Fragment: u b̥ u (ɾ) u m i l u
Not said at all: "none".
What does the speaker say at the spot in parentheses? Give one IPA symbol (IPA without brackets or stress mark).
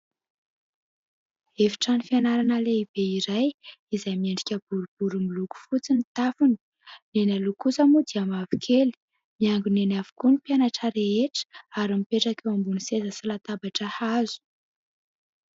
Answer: ɾ